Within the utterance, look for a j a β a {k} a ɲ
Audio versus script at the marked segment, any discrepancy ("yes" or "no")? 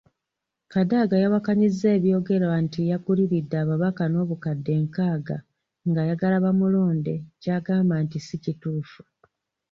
no